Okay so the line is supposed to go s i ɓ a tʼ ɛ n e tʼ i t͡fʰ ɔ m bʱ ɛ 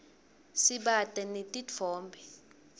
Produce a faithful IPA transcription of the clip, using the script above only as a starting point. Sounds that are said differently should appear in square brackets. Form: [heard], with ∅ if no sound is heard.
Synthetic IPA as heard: s i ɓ a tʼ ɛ n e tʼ i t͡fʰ [ɔː] m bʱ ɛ